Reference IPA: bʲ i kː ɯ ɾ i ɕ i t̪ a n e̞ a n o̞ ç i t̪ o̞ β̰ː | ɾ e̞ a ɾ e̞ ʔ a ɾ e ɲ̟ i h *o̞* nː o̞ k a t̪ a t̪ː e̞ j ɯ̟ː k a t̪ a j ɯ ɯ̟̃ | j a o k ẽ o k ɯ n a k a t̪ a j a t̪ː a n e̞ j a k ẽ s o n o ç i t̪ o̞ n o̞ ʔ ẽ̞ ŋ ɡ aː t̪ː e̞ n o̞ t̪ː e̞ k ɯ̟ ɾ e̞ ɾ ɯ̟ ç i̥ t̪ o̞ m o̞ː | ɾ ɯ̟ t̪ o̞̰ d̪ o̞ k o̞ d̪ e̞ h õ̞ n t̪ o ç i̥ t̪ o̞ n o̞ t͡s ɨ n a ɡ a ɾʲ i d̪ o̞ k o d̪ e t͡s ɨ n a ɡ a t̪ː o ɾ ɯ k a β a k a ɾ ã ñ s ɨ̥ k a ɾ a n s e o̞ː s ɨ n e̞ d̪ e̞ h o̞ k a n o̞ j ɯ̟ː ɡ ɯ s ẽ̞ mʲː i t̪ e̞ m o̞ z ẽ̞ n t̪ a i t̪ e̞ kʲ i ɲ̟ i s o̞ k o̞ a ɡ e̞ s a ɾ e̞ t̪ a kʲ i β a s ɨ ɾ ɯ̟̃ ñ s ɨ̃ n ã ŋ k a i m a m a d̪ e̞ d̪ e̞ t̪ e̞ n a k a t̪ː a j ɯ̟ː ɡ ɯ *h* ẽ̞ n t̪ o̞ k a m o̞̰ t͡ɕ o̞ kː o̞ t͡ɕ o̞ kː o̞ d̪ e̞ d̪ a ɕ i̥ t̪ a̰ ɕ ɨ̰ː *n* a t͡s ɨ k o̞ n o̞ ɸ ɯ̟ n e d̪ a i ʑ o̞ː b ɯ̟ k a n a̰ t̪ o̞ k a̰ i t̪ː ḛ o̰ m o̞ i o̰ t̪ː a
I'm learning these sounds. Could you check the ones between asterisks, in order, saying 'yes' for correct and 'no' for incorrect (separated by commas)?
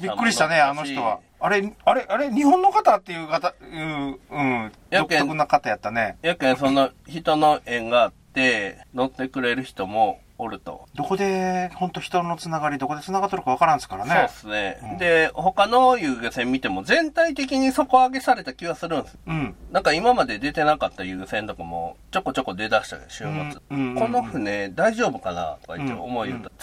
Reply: no, no, no